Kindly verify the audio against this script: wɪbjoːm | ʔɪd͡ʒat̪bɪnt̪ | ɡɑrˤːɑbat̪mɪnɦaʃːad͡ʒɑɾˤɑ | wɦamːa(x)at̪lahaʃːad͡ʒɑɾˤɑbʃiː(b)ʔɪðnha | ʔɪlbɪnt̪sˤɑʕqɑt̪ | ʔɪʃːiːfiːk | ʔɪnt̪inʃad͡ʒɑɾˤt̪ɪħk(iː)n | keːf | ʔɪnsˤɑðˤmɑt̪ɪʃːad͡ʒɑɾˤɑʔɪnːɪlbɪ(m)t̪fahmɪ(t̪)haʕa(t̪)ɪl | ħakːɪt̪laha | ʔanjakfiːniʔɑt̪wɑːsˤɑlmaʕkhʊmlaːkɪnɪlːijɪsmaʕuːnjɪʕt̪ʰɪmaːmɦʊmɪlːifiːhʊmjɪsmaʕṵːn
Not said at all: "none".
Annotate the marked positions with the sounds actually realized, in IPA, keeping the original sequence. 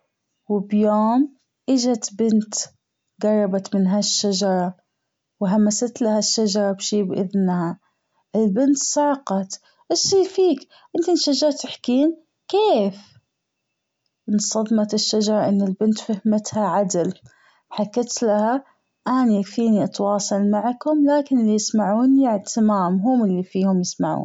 s, b, iː, n, t̪, d̪

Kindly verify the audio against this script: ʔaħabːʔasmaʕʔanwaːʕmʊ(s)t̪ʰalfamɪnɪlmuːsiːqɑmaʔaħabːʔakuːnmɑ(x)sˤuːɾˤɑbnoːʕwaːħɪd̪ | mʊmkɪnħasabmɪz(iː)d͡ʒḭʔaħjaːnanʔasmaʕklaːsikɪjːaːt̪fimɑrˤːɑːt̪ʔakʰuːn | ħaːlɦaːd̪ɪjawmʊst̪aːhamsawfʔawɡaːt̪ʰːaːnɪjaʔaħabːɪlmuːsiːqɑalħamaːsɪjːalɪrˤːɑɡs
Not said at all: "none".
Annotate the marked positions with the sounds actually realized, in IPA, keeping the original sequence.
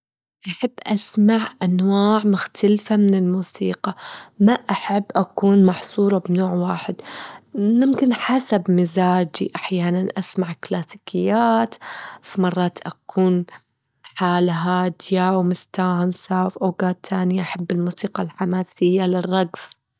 x, ħ, aː

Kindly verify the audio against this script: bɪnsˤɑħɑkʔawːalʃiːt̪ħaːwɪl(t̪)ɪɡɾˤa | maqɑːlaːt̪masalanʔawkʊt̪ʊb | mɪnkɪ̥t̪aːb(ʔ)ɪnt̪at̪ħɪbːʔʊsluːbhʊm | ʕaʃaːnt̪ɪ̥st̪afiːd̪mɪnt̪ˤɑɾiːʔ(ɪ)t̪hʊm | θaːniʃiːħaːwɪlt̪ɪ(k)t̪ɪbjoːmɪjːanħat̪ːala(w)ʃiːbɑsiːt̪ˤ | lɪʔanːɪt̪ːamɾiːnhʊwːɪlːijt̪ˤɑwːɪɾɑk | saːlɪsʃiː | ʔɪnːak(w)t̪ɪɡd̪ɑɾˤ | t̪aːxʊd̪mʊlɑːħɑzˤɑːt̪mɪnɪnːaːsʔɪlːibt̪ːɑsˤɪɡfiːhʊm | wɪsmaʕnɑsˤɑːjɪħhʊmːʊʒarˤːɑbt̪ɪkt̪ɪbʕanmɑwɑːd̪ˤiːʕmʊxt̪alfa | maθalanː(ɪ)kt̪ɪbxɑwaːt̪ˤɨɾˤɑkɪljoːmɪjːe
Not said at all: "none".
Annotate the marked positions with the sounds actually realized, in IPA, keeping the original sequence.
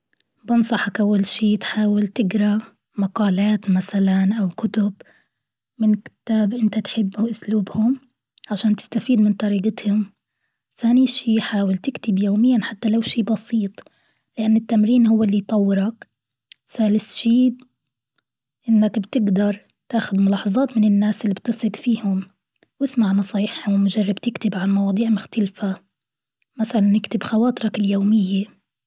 t̪, ʔ, ɪ, k, w, b, ɪ

